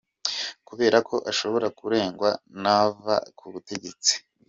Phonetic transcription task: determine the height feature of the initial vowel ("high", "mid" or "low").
high